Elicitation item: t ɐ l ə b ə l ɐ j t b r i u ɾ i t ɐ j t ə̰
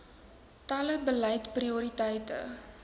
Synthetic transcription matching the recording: t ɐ l ə b ə l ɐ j t p r i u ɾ i t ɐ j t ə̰